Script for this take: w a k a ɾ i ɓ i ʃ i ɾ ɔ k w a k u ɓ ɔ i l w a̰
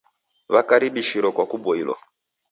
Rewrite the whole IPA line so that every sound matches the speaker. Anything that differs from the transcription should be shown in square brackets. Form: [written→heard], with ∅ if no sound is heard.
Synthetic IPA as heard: [w→β] a k a ɾ i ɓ i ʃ i ɾ ɔ k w a k u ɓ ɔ i l w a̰